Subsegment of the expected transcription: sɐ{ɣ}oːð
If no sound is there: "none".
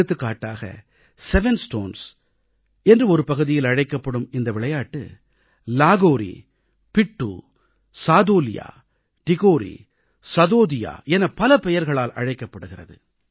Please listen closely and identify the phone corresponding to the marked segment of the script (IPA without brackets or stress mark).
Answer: ð